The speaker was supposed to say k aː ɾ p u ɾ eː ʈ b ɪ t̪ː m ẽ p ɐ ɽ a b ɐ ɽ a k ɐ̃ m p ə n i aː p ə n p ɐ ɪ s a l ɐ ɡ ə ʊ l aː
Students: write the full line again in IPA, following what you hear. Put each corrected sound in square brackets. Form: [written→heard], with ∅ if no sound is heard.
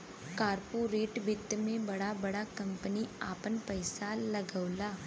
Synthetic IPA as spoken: k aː ɾ p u ɾ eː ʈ b ɪ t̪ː m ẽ [p→b] ɐ ɽ a b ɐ ɽ a k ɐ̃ m p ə n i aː p ə n p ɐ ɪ s a l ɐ ɡ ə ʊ l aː